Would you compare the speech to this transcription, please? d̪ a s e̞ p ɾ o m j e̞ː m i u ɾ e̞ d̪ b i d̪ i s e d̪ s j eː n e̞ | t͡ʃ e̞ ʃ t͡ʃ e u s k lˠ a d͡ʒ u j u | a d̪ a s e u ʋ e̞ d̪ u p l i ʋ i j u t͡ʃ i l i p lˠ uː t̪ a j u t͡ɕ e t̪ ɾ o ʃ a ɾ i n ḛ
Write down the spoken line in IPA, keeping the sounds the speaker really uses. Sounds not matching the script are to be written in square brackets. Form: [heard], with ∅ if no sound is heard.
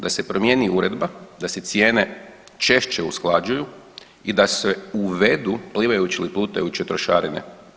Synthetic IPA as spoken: d̪ a s e̞ p ɾ o m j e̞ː [n] i u ɾ e̞ d̪ b [a] d̪ [a] s e [t̪] s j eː n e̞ | t͡ʃ e̞ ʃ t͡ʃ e u s k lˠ a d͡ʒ u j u | [i] d̪ a s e u ʋ e̞ d̪ u p l i ʋ [a] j u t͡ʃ i l i p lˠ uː t̪ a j u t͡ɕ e t̪ ɾ o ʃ a ɾ i n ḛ